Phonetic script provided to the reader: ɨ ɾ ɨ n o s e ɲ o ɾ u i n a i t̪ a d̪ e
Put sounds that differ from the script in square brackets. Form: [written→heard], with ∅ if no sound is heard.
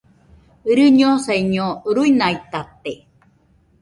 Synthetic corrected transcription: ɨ ɾ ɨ [n→ɲ] o s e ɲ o ɾ u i n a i t̪ a [d̪→t̪] e